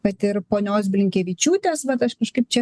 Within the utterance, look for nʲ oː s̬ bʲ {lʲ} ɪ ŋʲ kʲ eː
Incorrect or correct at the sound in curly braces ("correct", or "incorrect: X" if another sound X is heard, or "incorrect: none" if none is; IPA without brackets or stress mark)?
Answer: correct